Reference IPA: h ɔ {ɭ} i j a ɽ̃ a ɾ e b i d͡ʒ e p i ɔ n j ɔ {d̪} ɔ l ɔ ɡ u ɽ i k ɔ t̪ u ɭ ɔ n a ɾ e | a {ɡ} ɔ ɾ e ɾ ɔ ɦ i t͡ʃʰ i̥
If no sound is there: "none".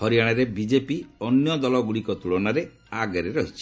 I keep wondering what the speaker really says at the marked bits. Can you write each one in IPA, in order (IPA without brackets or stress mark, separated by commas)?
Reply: ɾ, d̪, ɡ